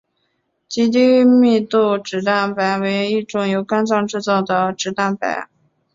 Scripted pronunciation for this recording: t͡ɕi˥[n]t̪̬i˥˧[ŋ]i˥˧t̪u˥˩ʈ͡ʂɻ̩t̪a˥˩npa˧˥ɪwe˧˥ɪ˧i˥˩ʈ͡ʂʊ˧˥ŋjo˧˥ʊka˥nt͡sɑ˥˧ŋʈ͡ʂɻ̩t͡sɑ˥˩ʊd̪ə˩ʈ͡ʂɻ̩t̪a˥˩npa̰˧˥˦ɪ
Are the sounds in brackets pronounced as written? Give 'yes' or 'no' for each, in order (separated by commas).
no, no